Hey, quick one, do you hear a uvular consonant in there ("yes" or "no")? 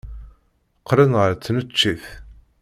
yes